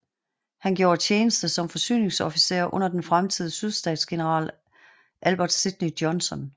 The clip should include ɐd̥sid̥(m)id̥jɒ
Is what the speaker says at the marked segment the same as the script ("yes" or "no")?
no